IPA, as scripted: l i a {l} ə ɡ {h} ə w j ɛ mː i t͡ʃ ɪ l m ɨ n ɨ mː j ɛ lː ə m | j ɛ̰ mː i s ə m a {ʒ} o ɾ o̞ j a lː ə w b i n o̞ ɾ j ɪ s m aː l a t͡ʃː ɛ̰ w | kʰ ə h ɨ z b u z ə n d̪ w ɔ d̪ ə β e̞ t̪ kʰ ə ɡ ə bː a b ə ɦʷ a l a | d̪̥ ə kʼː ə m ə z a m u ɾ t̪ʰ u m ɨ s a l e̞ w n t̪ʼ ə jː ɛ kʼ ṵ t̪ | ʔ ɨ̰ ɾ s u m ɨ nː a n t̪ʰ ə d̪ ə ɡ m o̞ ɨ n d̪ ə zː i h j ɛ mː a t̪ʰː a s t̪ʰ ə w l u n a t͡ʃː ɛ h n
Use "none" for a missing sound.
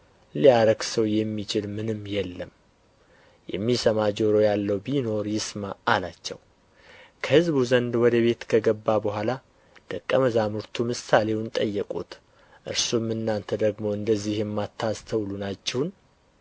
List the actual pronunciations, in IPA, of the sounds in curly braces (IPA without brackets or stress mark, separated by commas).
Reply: ɾ, s, d͡ʒ